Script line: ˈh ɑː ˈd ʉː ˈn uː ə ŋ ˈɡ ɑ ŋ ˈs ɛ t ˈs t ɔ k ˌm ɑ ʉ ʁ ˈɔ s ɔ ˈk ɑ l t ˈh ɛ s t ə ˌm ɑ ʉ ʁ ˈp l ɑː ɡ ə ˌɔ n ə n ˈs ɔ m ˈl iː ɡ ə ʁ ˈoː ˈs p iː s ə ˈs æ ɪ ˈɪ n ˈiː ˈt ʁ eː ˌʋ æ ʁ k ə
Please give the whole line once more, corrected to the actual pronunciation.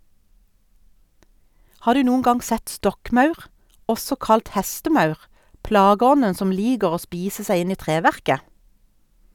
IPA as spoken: ˈh ɑː ˈd ʉː ˈn uː ə n ˈɡ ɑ ŋ ˈs ɛ t ˈs t ɔ k ˌm ɑ ʉ ʁ ˈɔ s ɔ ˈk ɑ l t ˈh ɛ s t ə ˌm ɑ ʉ ʁ ˈp l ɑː ɡ ə ˌɔ n ə n ˈs ɔ m ˈl iː ɡ ə ʁ ˈoː ˈs p iː s ə ˈs æ ɪ ˈɪ n ˈiː ˈt ʁ eː ˌʋ æ ʁ k ə

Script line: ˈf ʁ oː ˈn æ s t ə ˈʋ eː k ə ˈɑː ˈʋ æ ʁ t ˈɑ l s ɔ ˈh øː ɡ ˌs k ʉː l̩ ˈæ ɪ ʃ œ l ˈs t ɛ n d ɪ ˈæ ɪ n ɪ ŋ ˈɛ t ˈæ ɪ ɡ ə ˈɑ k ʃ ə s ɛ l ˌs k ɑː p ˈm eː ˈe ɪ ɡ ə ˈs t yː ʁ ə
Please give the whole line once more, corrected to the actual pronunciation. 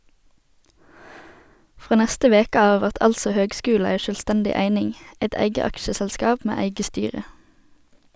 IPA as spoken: ˈf ʁ oː ˈn æ s t ə ˈʋ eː k ə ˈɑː ˈʋ æ ʁ t ˈɑ l s ɔ ˈh øː ɡ ˌs k ʉː l̩ ˈæ ɪ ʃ œ l ˈs t ɛ n d ɪ ˈæ ɪ n ɪ ŋ ˈɛ t ˈæ ɪ ɡ ə ˈɑ k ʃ ə s ɛ l ˌs k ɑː p ˈm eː ˈæ ɪ ɡ ə ˈs t yː ʁ ə

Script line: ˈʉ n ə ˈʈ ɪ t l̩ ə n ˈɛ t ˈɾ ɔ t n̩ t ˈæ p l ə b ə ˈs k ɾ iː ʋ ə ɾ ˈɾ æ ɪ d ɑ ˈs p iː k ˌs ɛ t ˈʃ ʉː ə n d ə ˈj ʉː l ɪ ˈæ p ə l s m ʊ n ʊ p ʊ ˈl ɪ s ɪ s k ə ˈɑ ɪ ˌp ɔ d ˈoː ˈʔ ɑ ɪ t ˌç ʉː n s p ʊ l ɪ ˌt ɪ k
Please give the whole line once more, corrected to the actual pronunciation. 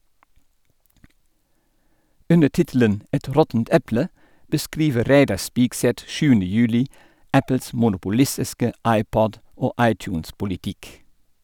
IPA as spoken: ˈʉ n ə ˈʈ ɪ t l̩ ə n ˈɛ t ˈɾ ɔ t n̩ t ˈɛ p l ə b ə ˈs k ɾ iː ʋ ə ɾ ˈɾ æ ɪ d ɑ ˈs p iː k ˌs ɛ t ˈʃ ʉː ə n d ə ˈj ʉː l ɪ ˈæ p ə l s m ʊ n ʊ p ʊ ˈl ɪ s ɪ s k ə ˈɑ ɪ ˌp ɔ d ˈoː ˈʔ ɑ ɪ t ˌç ʉː n s p ʊ l ɪ ˌt ɪ k

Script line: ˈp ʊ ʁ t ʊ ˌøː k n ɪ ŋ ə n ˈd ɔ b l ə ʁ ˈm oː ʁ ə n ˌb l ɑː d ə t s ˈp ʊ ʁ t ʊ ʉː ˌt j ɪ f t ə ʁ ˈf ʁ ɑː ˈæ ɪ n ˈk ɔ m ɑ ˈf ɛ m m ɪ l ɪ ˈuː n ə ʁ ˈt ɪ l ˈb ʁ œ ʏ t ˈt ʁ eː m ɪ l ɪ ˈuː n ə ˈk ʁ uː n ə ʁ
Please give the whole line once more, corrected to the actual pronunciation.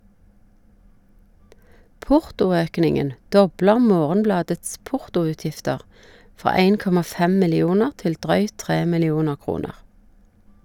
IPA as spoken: ˈp ʊ ʁ t ʊ ˌøː k n ɪ ŋ ə n ˈd ɔ b l ə ʁ ˈm oː ʁ ə n ˌb l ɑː d ə t s ˈp ʊ ʁ t ʊ ʉː ˌt j ɪ f t ə ʁ ˈf ʁ ɑː ˈæ ɪ n ˈk ɔ m ɑ ˈf ɛ m m ɪ l ɪ ˈuː n ə ʁ ˈt ɪ l ˈd ʁ œ ʏ t ˈt ʁ eː m ɪ l ɪ ˈuː n ə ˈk ʁ uː n ə ʁ

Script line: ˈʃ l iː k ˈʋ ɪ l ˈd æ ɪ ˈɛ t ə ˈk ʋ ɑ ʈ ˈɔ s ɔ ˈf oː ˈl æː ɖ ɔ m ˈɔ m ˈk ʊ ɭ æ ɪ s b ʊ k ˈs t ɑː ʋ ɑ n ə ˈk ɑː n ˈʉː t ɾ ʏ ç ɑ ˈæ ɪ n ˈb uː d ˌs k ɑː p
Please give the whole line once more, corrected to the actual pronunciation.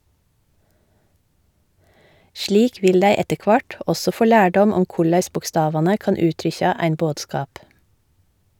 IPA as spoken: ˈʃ l iː k ˈʋ ɪ l ˈd æ ɪ ˈɛ t ə ˈk ʋ ɑ ʈ ˈɔ s ɔ ˈf oː ˈl æː ɖ ɔ m ˈɔ m ˈk ʊ ɭ æ ɪ s b ʊ k ˈs t ɑː ʋ ɑ n ə ˈk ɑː n ˈʉː t ɾ ʏ ç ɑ ˈæ ɪ n ˈb oː d ˌs k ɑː p

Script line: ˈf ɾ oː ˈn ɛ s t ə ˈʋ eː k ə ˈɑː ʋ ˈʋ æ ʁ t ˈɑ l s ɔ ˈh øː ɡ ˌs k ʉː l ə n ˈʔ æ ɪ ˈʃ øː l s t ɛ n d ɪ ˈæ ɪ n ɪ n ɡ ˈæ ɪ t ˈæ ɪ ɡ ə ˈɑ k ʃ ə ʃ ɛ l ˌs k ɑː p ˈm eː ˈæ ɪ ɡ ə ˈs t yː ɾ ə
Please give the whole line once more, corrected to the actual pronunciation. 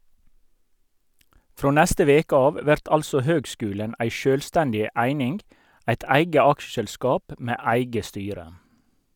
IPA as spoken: ˈf ɾ oː ˈn ɛ s t ə ˈʋ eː k ə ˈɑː ʋ ˈʋ æ ʁ t ˈɑ l s ɔ ˈh øː ɡ ˌs k ʉː l ə n ˈʔ æ ɪ ˈʃ øː l s t ɛ n d ɪ ˈæ ɪ n ɪ n ɡ ˈæ ɪ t ˈæ ɪ ɡ ə ˈɑ k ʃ ə ʃ ɛ l ˌs k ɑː p ˈm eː ˈæ ɪ ɡ ə ˈs t yː ɾ ə

